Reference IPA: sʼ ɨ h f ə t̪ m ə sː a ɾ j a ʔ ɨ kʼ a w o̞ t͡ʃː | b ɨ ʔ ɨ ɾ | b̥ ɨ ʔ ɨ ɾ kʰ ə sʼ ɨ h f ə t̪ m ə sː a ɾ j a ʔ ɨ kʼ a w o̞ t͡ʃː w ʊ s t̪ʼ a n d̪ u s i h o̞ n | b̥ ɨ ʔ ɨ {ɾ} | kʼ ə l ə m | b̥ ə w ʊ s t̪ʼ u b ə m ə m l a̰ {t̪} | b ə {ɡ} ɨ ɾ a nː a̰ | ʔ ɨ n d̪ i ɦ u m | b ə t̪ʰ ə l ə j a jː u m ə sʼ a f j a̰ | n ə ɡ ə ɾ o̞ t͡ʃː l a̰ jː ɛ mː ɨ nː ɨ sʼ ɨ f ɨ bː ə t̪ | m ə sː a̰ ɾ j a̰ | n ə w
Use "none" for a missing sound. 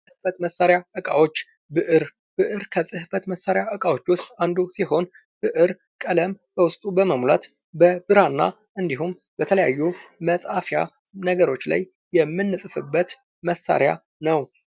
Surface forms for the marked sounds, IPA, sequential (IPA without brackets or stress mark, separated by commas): ɾ, t̪, b